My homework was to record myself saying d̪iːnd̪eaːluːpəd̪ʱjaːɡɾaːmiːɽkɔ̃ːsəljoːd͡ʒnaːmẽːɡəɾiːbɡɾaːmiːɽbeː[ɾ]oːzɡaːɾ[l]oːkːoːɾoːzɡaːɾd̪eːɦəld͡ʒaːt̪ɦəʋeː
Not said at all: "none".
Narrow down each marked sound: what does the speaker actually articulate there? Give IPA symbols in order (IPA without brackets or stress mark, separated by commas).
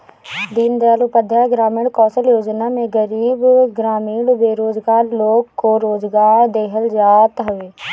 ɾ, l